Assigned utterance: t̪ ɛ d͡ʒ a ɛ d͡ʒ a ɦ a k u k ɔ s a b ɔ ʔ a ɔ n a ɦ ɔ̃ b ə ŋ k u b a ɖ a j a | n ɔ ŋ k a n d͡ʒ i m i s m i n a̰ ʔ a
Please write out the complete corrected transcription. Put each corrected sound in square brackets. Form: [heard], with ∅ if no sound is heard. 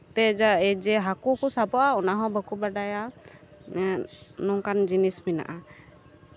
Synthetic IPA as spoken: t̪ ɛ d͡ʒ a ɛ d͡ʒ [ɛ] ɦ a k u k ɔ s a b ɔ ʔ a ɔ n a ɦ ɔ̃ b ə [∅] k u b a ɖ a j a | n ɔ ŋ k a n d͡ʒ i [n] i s m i n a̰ ʔ a